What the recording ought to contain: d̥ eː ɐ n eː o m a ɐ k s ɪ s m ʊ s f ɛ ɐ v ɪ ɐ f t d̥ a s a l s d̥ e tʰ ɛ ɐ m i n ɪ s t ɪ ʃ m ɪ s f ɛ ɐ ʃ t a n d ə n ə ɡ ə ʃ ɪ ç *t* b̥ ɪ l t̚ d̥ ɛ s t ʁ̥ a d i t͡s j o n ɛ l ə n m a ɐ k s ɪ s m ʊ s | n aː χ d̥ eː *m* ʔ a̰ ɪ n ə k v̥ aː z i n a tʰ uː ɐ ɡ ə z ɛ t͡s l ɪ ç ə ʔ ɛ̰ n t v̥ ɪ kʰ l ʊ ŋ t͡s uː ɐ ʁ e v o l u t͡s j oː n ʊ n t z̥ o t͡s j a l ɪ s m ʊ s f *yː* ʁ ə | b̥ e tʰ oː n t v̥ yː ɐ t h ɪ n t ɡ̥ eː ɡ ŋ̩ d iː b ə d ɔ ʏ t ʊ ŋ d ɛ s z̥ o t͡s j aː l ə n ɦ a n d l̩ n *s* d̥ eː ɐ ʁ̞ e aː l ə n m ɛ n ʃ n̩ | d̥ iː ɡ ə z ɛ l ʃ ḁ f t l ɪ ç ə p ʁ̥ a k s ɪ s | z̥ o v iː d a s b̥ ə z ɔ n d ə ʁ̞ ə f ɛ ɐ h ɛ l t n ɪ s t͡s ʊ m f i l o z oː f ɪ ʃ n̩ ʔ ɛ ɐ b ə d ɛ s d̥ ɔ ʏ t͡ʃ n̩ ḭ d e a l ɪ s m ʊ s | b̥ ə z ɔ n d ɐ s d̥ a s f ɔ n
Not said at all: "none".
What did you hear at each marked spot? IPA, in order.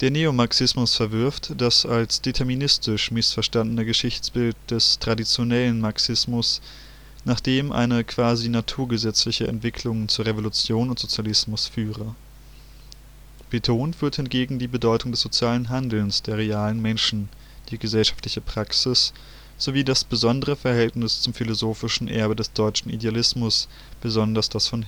t͡s, m, yː, s

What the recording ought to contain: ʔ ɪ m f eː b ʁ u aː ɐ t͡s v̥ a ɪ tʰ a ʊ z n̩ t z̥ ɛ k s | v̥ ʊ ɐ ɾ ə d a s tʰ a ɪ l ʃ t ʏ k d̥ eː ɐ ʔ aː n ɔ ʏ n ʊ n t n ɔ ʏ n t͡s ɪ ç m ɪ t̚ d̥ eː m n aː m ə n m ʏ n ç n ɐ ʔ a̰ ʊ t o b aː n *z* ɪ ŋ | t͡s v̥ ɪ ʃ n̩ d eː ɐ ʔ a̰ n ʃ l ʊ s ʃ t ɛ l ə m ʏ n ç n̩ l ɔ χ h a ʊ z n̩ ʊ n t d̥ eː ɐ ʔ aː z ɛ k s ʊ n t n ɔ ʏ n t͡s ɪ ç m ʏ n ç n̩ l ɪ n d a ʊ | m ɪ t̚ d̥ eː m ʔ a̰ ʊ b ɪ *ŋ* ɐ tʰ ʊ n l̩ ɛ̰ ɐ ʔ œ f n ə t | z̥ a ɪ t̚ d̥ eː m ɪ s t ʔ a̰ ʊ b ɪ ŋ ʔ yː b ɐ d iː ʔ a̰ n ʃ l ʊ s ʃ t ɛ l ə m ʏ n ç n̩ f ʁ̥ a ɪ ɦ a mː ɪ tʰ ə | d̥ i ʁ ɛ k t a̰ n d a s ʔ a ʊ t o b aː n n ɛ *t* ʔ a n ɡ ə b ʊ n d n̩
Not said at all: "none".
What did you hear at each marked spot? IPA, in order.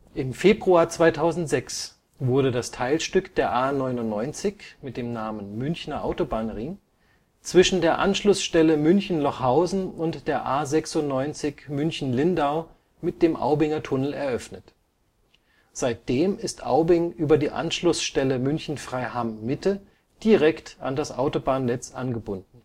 ʁ, ŋ, t͡s

